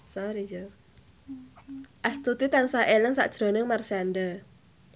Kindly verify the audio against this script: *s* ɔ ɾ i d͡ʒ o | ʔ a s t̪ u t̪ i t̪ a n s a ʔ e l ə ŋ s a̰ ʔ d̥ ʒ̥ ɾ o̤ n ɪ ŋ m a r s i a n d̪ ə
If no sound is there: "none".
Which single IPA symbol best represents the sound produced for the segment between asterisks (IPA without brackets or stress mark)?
s